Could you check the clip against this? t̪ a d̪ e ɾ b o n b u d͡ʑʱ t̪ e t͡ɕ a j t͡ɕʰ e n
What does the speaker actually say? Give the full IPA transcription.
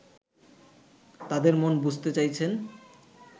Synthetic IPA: t̪ a d̪ e ɾ m o n b u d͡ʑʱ t̪ e t͡ɕ a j t͡ɕʰ e n